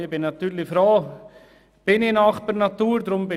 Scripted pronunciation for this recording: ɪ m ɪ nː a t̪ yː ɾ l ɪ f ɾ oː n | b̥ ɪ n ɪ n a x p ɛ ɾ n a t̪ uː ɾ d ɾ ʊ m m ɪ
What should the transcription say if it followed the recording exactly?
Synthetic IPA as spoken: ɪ b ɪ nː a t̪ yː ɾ l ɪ f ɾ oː | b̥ ɪ n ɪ n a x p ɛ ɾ n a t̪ uː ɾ d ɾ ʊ m b ɪ